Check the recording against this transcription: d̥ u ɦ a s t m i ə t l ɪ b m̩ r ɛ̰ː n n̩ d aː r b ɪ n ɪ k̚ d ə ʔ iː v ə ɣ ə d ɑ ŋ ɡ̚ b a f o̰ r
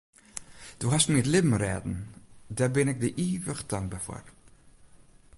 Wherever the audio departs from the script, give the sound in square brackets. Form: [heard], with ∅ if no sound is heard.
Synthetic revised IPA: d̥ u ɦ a s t m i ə t l ɪ b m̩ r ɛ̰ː [d] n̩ d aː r b ɪ n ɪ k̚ d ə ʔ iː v ə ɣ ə d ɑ ŋ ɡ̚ b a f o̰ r